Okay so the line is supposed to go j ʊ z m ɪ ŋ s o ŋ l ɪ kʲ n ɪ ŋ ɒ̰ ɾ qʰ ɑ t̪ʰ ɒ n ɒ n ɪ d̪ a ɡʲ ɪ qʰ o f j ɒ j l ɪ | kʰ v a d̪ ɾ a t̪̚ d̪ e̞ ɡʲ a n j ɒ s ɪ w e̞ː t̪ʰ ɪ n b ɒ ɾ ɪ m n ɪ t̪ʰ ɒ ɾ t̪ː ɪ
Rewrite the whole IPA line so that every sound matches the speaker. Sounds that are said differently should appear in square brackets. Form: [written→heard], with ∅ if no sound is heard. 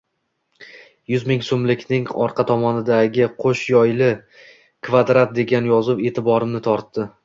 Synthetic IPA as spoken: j ʊ z m ɪ ŋ s o [ŋ→m] l ɪ kʲ n ɪ ŋ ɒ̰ ɾ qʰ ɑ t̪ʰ ɒ [n→m] ɒ n ɪ d̪ a ɡʲ ɪ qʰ o [f→ʃ] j ɒ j l ɪ | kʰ v a d̪ ɾ a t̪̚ d̪ e̞ ɡʲ a n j ɒ [s→z] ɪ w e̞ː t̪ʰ ɪ [n→∅] b ɒ ɾ ɪ m n ɪ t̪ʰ ɒ ɾ t̪ː ɪ